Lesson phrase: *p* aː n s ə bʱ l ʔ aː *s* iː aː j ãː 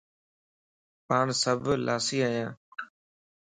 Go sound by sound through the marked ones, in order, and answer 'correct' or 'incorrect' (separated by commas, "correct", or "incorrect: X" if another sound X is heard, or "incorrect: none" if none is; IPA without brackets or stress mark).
correct, correct